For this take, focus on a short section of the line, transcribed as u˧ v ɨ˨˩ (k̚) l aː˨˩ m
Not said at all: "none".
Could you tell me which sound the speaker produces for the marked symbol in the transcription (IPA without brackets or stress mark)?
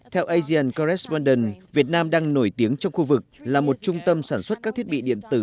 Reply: k̚